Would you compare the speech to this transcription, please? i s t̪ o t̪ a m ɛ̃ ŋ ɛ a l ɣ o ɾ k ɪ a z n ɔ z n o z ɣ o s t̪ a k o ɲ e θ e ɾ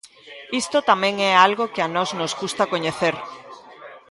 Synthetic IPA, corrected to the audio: i s t̪ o t̪ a m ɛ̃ ŋ ɛ a l ɣ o k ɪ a n ɔ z n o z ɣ u s t̪ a k o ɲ e θ e ɾ